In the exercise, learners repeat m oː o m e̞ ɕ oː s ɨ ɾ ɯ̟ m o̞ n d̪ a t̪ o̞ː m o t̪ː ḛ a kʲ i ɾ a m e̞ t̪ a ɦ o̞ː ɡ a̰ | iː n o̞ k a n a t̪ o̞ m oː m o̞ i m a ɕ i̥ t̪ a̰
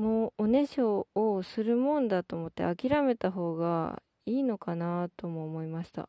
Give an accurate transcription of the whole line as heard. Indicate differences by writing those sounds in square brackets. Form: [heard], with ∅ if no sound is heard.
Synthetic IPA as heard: m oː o [n] e̞ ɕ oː s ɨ ɾ ɯ̟ m [õ̞] n d̪ a t̪ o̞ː m o t̪ː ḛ a kʲ i ɾ a m e̞ t̪ a ɦ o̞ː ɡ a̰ | iː n o̞ k a n a t̪ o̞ m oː m o̞ i m a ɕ i̥ t̪ a̰